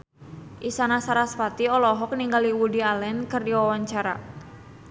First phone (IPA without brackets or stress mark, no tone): ʔ